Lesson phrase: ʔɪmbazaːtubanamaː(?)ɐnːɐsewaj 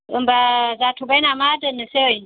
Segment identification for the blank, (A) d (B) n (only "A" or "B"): A